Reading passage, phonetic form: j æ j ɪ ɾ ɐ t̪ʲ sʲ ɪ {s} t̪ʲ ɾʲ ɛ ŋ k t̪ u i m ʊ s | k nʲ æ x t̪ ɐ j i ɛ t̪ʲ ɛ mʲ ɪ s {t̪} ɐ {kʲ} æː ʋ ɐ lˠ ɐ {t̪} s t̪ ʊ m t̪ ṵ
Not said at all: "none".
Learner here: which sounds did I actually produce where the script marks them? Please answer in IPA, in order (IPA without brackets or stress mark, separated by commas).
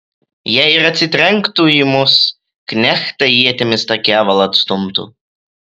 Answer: none, t̪, kʲ, t̪